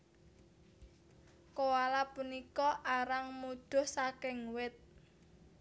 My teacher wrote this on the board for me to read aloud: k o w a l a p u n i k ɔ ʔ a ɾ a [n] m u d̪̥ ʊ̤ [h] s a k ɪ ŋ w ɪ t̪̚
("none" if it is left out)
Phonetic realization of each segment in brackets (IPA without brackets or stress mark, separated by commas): ŋ, h